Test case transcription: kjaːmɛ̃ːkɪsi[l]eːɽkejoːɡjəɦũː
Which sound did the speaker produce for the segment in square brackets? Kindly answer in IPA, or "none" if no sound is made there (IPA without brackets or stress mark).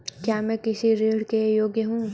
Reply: ɾ